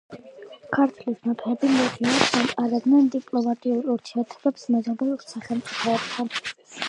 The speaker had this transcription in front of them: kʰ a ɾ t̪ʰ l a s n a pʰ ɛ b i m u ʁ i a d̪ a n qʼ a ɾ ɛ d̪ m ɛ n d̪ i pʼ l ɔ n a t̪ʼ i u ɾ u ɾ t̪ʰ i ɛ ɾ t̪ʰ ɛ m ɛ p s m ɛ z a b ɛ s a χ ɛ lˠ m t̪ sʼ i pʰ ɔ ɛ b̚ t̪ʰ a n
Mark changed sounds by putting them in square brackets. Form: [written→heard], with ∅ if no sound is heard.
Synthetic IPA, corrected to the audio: kʰ a ɾ t̪ʰ l [a→i] s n a pʰ ɛ b i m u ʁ i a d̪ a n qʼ a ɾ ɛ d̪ [m→n] ɛ n d̪ i pʼ l ɔ [n→m] a t̪ʼ i u ɾ u ɾ t̪ʰ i ɛ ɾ t̪ʰ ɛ [m→b] ɛ p s m ɛ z a b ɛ s a χ ɛ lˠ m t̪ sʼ i pʰ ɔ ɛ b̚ t̪ʰ a n